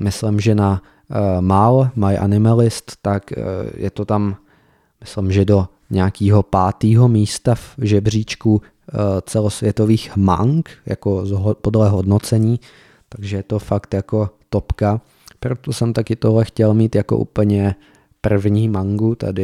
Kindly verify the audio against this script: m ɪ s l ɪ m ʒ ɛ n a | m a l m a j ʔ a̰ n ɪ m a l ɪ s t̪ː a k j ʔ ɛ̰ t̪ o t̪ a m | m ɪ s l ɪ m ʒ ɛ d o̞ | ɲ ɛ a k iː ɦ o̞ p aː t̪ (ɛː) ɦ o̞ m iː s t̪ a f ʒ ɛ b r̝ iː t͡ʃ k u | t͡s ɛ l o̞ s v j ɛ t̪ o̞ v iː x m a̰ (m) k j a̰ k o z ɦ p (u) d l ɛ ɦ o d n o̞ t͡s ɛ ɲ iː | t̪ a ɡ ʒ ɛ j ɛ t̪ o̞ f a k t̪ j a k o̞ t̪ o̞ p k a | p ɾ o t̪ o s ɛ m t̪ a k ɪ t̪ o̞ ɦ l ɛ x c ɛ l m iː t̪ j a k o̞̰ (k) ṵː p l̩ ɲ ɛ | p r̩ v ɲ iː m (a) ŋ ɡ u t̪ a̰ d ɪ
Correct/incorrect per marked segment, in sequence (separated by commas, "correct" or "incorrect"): incorrect, incorrect, incorrect, incorrect, correct